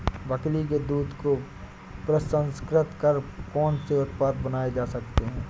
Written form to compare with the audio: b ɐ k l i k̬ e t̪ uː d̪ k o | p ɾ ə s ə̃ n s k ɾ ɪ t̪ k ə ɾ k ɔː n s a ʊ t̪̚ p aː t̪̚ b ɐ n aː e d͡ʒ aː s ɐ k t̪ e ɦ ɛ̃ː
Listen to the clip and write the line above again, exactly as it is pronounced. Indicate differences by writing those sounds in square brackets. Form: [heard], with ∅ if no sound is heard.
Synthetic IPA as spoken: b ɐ k l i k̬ e [d̪] uː d̪ k o | p ɾ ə s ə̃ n s k ɾ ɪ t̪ k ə ɾ k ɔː n s [e] ʊ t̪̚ p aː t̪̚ b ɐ n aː e d͡ʒ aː s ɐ k t̪ e ɦ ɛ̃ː